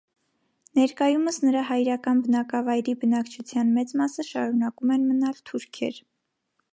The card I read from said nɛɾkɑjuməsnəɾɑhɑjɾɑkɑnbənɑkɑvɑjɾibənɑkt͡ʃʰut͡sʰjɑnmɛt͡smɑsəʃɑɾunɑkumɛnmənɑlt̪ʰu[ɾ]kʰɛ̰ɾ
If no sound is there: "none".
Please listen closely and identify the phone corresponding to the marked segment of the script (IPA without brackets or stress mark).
ɾ